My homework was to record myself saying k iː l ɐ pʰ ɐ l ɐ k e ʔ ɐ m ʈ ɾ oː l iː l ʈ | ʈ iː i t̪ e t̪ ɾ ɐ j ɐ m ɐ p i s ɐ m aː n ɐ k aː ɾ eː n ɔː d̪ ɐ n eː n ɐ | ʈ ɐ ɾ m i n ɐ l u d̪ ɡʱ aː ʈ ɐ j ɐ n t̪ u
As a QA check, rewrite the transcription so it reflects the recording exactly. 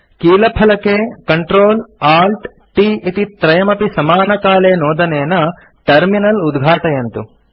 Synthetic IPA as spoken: k iː l ɐ pʰ ɐ l ɐ k e k ɐ ɳ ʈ ɾ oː l aː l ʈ | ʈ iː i t̪ i t̪ ɾ ɐ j ɐ m ɐ p i s ɐ m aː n ɐ k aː l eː n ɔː d̪ ɐ n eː n ɐ | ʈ ɐ ɾ m i n ɐ l u d̪ ɡʱ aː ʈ ɐ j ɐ n t̪ u